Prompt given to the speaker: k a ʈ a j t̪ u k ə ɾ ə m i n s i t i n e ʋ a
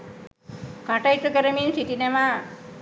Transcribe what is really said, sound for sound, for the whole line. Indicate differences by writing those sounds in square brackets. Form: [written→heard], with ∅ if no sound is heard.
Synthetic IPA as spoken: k a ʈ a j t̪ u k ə ɾ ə m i n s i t i n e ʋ a